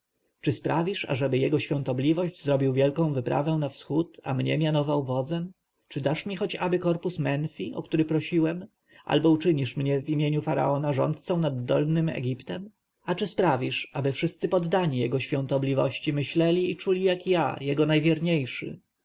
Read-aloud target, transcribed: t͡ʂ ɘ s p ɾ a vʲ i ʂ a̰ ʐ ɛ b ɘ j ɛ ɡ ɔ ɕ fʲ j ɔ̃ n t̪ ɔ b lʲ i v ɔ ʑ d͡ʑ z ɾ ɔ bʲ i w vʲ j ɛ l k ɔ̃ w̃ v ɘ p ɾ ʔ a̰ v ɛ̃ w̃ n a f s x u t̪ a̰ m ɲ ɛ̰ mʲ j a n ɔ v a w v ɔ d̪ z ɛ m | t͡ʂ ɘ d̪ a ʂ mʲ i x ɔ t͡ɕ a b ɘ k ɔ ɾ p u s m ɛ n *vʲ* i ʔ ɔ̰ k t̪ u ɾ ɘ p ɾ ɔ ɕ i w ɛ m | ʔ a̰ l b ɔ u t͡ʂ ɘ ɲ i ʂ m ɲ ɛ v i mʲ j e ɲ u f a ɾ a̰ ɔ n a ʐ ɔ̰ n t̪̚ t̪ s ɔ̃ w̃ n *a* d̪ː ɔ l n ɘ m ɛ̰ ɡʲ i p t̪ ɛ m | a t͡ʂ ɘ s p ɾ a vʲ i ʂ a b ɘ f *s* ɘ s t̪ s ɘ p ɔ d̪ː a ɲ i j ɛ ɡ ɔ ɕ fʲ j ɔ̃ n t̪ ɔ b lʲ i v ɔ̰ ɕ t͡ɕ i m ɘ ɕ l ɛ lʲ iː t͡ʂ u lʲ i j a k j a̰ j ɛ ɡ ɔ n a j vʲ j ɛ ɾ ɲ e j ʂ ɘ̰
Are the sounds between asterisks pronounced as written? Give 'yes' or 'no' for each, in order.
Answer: no, yes, no

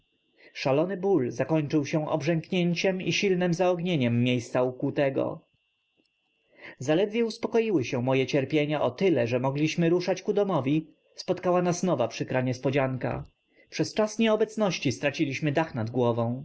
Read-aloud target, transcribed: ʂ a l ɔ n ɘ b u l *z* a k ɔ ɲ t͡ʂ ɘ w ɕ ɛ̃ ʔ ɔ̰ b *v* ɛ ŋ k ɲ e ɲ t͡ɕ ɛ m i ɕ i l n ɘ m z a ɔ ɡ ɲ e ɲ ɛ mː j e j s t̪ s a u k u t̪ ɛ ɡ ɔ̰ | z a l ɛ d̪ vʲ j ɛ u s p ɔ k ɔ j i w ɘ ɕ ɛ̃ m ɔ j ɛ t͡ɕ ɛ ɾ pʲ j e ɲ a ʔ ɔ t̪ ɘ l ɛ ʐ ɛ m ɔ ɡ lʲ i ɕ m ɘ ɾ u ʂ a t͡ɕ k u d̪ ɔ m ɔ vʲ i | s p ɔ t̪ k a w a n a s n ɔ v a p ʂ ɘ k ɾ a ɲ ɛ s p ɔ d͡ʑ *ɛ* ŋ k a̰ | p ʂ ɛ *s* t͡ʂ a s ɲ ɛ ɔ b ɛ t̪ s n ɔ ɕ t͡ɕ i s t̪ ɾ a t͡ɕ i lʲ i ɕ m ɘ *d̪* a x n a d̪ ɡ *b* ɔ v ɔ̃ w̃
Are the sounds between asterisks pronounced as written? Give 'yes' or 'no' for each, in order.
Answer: yes, no, no, yes, yes, no

